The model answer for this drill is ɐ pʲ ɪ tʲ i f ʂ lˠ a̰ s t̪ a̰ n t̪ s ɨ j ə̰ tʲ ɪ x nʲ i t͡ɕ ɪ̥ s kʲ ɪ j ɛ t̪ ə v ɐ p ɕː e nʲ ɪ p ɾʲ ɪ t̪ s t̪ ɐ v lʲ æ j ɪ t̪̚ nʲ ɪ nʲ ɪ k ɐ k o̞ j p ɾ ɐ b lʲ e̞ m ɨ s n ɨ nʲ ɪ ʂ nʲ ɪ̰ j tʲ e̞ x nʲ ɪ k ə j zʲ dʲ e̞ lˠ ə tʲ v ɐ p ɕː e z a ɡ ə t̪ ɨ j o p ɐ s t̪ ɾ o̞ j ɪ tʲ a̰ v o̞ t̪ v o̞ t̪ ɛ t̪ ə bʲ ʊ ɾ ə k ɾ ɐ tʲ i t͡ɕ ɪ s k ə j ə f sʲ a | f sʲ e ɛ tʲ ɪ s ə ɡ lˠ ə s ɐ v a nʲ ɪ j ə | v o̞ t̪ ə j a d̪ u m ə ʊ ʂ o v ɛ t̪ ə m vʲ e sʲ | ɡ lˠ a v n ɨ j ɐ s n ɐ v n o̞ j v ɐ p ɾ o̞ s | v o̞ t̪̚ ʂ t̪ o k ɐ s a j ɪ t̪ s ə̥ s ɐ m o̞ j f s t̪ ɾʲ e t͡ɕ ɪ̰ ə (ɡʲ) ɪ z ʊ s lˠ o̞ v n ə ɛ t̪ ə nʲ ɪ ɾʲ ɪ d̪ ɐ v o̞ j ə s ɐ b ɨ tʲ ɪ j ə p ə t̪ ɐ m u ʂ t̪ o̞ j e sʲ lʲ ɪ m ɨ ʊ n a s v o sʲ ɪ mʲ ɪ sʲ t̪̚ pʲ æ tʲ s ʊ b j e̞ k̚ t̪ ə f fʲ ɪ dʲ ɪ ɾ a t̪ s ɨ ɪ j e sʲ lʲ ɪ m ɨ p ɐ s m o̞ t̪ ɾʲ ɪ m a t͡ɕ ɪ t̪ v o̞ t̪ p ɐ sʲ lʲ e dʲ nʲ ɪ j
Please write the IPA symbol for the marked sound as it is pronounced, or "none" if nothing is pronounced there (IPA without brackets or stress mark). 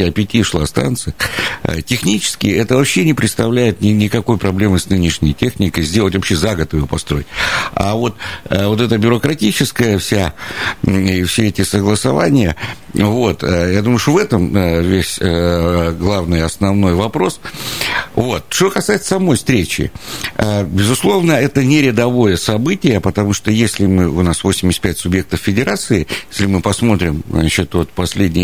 bʲ